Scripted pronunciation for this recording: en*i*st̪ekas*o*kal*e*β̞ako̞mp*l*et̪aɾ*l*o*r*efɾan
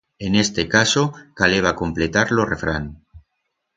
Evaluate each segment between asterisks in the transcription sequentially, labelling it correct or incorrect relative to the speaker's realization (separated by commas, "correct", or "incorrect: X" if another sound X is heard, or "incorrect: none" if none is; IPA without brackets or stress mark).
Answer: incorrect: e, correct, correct, correct, correct, correct